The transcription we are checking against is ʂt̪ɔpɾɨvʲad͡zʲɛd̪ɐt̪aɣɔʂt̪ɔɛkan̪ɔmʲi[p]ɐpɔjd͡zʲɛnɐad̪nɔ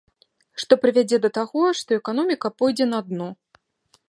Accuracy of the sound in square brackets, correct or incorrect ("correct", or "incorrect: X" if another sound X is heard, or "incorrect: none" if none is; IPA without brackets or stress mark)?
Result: incorrect: k